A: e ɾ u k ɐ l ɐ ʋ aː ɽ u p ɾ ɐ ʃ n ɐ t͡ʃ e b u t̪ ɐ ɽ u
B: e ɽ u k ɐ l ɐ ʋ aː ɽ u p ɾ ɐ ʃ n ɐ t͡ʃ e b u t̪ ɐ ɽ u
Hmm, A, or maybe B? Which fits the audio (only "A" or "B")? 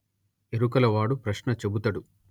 A